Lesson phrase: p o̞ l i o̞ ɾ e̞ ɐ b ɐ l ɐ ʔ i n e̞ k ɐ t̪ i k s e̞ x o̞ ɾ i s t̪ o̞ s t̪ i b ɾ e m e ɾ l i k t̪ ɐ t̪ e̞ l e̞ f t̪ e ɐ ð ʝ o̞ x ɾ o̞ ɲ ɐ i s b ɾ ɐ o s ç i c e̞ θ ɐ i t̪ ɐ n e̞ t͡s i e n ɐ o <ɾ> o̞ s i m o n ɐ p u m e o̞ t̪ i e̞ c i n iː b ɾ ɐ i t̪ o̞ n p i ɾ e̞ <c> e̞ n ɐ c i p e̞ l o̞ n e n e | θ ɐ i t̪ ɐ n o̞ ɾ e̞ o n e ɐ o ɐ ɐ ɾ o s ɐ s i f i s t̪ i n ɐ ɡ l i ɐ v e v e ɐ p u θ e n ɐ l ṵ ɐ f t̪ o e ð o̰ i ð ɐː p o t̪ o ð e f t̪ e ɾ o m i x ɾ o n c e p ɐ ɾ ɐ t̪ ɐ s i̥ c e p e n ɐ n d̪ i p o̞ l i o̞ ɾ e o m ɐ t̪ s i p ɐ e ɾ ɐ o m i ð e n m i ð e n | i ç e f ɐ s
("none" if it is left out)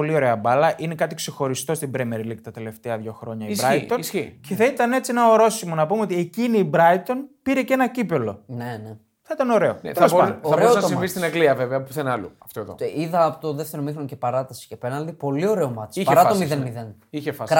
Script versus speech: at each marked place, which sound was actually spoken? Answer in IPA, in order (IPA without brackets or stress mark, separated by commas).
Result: ɾ, c